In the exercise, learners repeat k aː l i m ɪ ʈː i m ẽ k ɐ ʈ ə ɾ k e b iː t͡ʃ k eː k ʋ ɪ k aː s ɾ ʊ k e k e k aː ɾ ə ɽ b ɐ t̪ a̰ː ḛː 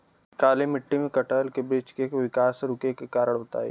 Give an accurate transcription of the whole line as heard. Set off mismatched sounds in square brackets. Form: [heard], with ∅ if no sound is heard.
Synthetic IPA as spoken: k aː l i m ɪ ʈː i m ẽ k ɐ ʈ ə [l] k e b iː t͡ʃ k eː k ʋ ɪ k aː s ɾ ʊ k e k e k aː ɾ ə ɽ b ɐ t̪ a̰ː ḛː